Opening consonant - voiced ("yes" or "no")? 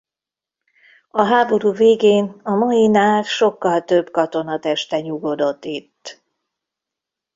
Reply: yes